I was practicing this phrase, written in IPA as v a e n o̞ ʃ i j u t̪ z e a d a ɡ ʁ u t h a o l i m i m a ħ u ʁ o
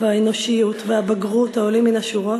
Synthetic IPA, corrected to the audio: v a e n o̞ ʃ i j u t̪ v e a b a ɡ ʁ u t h a o l i m i n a ʃ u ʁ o